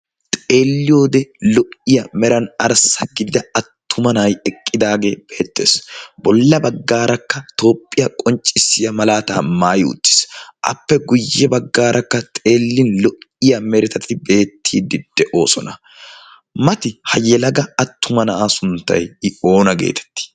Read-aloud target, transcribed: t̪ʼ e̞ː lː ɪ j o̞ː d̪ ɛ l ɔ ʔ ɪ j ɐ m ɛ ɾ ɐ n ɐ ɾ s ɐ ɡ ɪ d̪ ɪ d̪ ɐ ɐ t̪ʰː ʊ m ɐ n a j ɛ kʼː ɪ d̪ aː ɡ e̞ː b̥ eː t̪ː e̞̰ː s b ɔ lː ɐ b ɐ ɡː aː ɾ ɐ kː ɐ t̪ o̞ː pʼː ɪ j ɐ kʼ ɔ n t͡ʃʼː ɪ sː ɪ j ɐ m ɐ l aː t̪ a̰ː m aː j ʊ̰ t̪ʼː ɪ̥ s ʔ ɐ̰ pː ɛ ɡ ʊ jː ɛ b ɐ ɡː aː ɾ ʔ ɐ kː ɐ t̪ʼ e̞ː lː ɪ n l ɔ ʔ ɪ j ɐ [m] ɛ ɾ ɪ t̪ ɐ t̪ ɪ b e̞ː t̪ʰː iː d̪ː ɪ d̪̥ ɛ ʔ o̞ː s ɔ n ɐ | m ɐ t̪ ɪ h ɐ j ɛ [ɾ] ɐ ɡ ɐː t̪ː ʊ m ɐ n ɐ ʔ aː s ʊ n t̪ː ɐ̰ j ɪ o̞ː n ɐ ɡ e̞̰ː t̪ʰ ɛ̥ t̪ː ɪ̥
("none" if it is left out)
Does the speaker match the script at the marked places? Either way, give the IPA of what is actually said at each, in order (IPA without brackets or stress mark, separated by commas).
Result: m, l